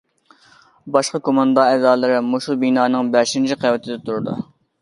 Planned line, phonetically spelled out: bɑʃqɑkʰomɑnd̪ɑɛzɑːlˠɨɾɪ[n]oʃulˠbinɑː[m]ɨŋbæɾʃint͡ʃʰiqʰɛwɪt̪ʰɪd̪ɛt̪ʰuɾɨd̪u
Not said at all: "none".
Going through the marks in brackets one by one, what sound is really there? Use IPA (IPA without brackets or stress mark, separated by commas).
m, n